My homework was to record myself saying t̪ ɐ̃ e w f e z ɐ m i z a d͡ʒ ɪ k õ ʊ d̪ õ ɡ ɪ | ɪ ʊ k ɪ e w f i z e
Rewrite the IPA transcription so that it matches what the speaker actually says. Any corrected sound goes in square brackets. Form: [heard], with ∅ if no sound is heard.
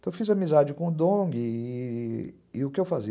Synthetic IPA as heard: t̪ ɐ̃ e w f [i] z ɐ m i z a d͡ʒ ɪ k õ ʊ d̪ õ ɡ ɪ | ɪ ʊ k ɪ e w f [a] z [i]